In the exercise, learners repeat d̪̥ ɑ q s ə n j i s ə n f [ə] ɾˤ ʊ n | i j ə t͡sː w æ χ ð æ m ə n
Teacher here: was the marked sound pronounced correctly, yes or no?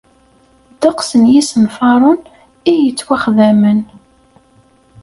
no